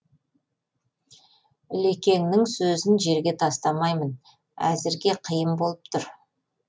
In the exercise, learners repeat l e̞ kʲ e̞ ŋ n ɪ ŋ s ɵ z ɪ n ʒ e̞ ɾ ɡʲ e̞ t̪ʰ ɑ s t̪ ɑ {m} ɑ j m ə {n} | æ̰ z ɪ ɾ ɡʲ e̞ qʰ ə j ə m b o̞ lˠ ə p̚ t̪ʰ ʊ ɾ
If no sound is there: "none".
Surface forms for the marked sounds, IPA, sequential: m, n

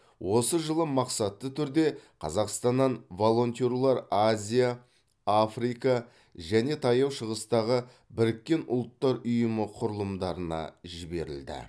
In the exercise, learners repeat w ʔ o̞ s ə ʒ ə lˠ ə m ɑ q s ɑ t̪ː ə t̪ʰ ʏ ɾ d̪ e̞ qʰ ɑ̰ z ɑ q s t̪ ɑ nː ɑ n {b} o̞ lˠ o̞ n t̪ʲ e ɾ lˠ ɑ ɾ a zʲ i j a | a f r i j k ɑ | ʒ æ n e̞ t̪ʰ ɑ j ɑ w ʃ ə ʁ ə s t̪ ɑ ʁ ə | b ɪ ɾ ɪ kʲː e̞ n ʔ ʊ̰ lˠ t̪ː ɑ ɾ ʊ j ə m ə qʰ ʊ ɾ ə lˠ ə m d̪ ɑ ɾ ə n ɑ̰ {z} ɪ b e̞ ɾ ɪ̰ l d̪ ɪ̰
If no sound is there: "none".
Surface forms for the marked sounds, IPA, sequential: v, ʒ

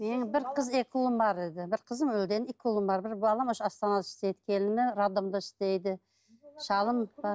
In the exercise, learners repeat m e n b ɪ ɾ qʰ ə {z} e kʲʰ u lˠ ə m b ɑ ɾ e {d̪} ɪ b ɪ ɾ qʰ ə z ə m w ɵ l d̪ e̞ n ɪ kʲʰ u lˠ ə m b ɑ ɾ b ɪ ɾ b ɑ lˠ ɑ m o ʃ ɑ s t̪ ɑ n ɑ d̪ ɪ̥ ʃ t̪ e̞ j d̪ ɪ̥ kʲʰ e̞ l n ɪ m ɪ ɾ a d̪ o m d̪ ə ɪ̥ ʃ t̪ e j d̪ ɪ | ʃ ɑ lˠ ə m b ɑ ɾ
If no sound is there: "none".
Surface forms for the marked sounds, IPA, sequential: z, d̪

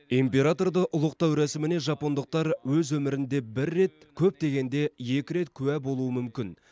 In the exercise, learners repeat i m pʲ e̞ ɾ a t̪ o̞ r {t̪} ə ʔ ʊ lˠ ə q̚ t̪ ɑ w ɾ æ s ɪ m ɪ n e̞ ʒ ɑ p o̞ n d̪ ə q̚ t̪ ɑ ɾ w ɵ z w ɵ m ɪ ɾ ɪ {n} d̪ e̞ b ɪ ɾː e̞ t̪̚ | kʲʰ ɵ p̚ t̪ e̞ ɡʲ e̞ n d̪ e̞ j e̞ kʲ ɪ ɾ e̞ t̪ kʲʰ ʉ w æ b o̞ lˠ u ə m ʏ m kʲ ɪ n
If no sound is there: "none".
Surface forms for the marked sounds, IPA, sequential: d̪, n

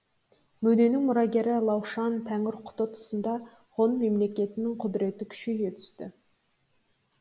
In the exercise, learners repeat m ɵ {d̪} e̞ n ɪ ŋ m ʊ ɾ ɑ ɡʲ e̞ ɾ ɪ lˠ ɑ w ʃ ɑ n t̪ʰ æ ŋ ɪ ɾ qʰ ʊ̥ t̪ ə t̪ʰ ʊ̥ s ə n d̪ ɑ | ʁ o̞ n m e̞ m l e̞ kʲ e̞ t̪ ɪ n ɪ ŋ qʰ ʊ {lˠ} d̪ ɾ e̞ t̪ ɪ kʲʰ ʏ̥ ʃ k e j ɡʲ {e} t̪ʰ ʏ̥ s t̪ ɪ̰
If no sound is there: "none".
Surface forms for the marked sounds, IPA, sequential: d̪, none, e

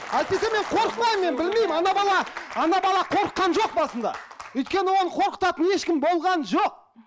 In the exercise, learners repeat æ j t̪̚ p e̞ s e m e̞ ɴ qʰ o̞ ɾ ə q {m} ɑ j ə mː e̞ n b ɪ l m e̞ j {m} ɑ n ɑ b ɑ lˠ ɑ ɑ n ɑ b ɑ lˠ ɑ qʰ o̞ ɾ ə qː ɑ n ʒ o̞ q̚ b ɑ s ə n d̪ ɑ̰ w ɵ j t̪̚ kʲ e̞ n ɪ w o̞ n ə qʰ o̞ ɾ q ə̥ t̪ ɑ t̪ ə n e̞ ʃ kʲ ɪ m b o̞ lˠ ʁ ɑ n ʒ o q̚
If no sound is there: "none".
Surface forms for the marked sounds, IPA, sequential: m, m

